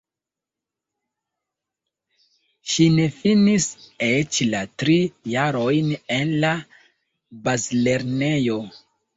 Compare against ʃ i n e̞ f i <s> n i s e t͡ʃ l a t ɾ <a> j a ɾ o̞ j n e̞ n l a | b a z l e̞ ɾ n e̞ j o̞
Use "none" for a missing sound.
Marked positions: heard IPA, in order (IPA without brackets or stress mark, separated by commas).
none, i